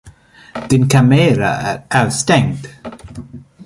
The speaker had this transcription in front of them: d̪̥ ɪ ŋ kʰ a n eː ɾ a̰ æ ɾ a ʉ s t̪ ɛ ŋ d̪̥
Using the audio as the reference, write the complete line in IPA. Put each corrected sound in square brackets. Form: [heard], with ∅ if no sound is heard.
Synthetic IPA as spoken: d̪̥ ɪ [n] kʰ a [m] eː ɾ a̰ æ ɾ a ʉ s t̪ ɛ ŋ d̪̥